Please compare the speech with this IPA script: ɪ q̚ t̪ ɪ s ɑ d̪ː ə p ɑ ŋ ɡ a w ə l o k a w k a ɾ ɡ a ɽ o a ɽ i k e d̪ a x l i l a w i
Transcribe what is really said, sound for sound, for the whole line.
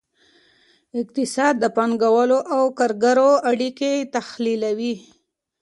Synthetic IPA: ɪ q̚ t̪ ɪ s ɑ d̪ː ə p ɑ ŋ ɡ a w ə l o ʔ a w k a ɾ ɡ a ɾ o a ɽ i k e t̪ a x l i l a w i